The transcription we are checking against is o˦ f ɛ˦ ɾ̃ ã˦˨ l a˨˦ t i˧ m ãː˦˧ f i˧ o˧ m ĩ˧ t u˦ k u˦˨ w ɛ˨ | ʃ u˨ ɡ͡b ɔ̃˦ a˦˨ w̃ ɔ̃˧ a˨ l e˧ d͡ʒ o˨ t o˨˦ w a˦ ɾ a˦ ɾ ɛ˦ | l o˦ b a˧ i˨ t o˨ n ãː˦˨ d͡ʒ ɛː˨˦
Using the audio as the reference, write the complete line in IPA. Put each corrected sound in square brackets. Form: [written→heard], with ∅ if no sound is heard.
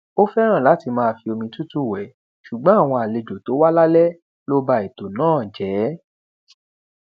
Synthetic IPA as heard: o˦ f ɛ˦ ɾ̃ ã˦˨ l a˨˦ t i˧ m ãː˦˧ f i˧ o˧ m ĩ˧ t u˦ [k→t] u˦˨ w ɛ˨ | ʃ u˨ ɡ͡b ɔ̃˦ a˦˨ w̃ ɔ̃˧ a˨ l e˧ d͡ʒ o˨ t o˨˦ w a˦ [ɾ→l] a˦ [ɾ→l] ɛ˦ | l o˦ b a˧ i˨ t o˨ n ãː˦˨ d͡ʒ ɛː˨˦